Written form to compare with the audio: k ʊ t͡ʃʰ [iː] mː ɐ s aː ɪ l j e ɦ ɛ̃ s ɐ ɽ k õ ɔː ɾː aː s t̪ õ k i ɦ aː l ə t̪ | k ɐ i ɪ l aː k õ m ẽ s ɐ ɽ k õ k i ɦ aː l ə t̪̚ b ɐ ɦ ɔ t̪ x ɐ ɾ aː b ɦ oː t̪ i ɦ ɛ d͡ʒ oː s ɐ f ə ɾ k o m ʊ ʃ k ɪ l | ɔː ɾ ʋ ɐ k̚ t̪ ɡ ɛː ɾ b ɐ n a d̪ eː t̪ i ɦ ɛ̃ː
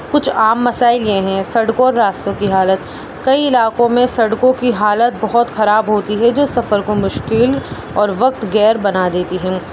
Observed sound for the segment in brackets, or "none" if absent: aː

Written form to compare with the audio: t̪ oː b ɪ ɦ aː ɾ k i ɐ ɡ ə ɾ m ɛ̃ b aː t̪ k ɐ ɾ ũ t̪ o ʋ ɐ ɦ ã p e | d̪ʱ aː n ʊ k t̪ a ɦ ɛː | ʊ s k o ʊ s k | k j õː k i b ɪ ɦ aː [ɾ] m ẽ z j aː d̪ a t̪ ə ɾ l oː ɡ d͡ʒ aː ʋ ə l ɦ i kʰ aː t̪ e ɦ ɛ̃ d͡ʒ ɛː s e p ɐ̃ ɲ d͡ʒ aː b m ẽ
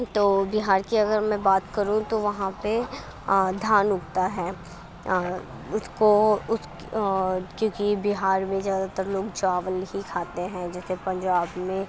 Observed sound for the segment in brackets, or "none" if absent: ɾ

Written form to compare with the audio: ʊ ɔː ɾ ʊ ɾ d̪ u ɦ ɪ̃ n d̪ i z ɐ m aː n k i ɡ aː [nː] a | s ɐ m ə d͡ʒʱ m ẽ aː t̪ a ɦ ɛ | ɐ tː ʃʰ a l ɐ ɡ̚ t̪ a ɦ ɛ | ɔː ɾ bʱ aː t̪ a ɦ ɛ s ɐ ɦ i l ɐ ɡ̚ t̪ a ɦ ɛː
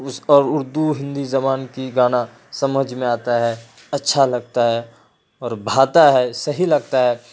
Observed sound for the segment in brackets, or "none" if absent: n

